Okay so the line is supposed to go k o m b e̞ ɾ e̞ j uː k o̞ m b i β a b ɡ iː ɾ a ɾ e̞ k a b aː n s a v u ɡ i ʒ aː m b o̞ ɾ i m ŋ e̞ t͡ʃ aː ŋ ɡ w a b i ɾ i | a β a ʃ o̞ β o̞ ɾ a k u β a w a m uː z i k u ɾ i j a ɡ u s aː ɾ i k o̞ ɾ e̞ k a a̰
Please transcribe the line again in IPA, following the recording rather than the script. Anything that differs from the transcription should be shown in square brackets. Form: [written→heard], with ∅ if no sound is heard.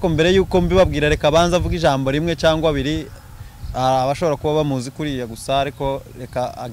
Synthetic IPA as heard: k o m b e̞ ɾ e̞ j uː k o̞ m b i β a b ɡ iː ɾ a ɾ e̞ k a [b→β] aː n [s→z] a v u ɡ i ʒ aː m b o̞ ɾ i m ŋ e̞ t͡ʃ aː ŋ ɡ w a [b→β] i ɾ i | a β a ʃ o̞ β o̞ ɾ a k u β a [w→β] a m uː z i k u ɾ i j a ɡ u s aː ɾ i k o̞ ɾ e̞ k a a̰